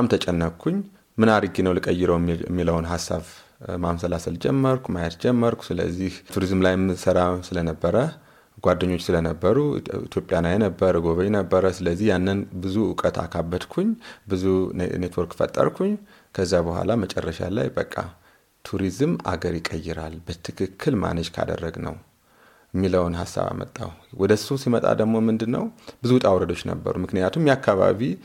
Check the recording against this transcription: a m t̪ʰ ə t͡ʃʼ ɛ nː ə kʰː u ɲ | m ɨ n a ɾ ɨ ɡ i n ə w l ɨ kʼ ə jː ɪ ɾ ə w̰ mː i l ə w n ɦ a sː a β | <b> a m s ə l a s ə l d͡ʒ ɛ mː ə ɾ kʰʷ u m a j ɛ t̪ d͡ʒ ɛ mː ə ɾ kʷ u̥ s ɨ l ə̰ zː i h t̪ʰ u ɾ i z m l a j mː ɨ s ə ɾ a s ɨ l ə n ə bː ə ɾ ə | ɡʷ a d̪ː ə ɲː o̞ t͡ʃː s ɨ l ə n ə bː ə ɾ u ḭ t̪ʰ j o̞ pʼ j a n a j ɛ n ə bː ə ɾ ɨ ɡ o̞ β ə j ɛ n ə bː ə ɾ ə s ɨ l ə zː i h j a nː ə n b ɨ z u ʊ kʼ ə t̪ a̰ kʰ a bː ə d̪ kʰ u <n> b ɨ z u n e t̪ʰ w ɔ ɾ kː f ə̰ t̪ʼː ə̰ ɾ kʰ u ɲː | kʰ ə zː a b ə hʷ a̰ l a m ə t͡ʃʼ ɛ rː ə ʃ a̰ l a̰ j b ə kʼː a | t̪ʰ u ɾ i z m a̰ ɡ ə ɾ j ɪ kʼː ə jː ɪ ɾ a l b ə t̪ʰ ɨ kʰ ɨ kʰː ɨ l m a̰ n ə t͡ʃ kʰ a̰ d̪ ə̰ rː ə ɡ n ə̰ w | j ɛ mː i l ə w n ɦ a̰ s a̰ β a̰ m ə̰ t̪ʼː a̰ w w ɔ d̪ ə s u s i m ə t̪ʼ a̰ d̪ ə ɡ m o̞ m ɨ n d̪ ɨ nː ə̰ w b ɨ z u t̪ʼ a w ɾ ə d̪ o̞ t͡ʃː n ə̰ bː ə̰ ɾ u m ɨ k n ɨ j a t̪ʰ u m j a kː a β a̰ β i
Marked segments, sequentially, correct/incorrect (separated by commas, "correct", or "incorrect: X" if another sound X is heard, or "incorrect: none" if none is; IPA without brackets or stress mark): incorrect: m, incorrect: ɲ